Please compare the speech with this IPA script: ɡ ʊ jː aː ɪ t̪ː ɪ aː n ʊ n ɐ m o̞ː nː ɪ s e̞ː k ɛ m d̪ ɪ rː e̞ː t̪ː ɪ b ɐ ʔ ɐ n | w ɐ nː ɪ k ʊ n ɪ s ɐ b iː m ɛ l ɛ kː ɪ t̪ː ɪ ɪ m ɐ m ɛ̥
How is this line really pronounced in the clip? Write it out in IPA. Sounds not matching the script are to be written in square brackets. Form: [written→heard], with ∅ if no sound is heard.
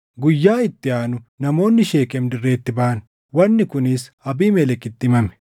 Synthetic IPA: ɡ ʊ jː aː ɪ t̪ː ɪ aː n ʊ n ɐ m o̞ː nː ɪ [s→ʃ] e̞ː k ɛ m d̪ ɪ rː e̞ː t̪ː ɪ b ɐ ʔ ɐ n | w ɐ nː ɪ k ʊ n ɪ s ɐ b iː m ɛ l ɛ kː ɪ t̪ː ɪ ɪ m ɐ m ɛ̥